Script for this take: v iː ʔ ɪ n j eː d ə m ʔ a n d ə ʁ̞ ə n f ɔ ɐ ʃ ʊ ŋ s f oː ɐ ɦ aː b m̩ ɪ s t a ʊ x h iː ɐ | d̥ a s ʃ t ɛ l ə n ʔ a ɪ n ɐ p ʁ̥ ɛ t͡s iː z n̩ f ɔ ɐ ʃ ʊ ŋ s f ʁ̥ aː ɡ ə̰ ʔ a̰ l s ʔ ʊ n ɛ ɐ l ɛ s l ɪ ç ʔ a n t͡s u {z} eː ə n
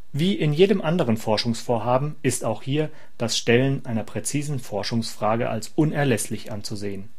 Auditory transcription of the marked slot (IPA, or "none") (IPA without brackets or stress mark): z